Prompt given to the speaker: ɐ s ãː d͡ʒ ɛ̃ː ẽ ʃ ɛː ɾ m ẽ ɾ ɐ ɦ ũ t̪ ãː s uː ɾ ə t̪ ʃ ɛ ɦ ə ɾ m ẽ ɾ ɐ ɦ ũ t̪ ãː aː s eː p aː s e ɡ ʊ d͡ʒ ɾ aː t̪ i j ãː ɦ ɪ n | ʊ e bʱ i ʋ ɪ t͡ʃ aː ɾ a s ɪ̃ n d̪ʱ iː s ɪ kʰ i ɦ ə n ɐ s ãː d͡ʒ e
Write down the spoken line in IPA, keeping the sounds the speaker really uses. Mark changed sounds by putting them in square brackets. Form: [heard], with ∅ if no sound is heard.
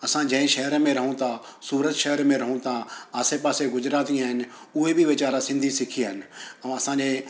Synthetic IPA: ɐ s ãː d͡ʒ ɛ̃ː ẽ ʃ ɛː ɾ m ẽ ɾ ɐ ɦ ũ t̪ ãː s uː ɾ ə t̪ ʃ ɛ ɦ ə ɾ m ẽ ɾ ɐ ɦ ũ t̪ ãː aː s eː p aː s e ɡ ʊ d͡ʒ ɾ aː t̪ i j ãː ɦ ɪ n | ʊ e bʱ i ʋ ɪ t͡ʃ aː ɾ a s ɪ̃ n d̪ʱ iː s ɪ kʰ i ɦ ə n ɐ s ãː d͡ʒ e